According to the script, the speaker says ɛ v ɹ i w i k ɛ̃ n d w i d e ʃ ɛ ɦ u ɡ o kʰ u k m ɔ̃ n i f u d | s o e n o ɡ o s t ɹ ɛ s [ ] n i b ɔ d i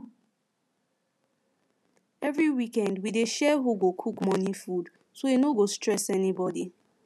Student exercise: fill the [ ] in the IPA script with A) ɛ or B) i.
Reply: A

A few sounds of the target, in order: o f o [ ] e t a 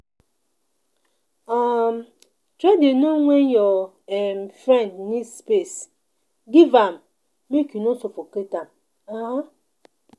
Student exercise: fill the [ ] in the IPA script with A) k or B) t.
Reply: A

